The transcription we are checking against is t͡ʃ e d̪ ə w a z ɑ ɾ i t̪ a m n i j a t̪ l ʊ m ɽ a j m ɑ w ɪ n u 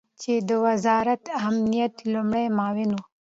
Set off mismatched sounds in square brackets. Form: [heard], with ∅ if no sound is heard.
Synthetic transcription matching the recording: t͡ʃ e d̪ ə w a z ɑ ɾ [a] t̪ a m n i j a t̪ l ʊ m ɽ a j m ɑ w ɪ n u